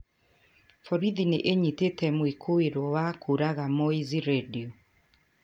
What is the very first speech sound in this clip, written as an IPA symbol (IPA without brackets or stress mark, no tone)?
f